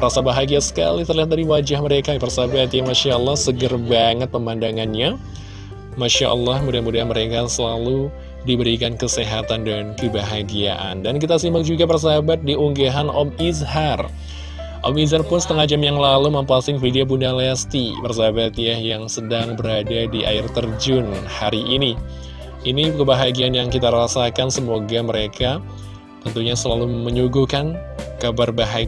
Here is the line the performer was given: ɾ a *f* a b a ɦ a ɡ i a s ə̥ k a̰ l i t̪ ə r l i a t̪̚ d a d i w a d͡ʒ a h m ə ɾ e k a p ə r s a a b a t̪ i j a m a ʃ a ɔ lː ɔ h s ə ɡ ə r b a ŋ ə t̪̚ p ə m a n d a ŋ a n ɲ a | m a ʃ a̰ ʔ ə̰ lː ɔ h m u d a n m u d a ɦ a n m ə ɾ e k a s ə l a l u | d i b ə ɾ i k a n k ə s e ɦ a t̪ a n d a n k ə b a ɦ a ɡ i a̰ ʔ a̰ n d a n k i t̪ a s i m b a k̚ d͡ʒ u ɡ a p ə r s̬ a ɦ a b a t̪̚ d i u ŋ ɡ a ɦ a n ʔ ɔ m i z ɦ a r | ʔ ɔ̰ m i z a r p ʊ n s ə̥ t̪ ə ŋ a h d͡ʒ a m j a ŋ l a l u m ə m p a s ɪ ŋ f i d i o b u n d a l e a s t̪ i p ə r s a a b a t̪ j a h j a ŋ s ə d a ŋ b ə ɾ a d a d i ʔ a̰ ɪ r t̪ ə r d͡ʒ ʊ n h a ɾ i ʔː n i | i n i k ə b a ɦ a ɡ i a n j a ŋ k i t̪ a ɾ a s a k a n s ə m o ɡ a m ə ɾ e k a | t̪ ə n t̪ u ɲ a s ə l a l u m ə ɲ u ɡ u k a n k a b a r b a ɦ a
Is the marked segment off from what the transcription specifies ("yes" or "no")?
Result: yes